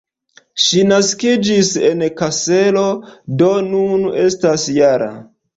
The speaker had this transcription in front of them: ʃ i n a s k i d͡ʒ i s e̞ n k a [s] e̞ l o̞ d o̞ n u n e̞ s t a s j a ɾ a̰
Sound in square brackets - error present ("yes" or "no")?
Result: no